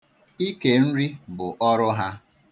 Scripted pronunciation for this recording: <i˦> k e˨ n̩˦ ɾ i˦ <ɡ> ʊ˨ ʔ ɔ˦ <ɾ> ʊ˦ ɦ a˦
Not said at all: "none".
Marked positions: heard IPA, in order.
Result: i˦, b, ɾ

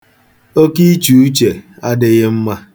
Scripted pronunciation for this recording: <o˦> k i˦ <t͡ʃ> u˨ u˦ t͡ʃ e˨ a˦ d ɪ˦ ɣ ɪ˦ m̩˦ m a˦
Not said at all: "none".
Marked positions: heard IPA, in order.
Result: o˦, t͡ʃ

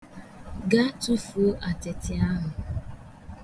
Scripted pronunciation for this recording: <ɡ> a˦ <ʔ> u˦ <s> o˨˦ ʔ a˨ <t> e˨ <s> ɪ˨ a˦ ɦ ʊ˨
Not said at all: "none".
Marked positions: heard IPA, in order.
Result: ɡ, t, f, t, t

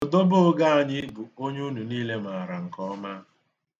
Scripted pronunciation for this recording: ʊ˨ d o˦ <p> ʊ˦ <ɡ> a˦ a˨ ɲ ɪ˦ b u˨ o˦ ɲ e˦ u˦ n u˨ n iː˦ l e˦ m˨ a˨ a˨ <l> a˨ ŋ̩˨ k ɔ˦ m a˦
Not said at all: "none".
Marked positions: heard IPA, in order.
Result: b, ɡ, ɾ

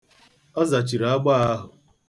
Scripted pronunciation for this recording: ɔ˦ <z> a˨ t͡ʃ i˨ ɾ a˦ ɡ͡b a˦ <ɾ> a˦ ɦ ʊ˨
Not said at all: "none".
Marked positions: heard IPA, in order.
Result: z, none

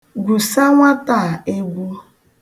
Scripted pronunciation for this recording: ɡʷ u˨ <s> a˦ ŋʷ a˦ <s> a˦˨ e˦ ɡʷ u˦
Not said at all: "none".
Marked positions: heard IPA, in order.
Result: s, t

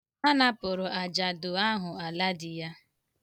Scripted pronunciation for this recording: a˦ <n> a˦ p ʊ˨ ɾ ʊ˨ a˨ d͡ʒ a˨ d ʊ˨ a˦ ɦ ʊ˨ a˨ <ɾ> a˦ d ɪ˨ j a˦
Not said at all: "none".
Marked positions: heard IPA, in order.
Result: n, l

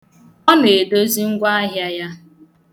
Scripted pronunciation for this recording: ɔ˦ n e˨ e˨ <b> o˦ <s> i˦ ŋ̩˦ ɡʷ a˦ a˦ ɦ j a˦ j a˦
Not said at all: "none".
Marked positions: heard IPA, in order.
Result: d, z

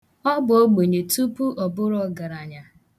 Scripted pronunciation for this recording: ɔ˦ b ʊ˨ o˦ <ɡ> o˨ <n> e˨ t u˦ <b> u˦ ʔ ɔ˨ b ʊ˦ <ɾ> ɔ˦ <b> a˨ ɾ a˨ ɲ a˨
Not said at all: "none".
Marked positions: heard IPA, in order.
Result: ɡ͡b, ɲ, p, ɾ, ɡ

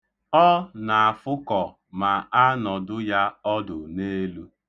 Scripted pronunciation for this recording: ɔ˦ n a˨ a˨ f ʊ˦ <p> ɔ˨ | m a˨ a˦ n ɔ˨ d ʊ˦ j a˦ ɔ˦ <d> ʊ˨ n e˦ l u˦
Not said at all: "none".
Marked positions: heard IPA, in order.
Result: k, d

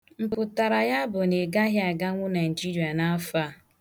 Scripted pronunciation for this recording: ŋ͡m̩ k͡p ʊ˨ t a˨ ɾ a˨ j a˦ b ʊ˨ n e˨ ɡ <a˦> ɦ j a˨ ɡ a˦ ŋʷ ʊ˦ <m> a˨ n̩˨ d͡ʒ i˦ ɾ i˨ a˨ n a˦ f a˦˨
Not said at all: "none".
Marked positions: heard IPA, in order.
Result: a˦, n

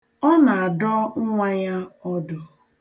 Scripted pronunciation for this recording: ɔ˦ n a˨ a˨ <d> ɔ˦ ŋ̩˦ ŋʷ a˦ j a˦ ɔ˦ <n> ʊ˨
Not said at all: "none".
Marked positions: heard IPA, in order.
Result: d, d

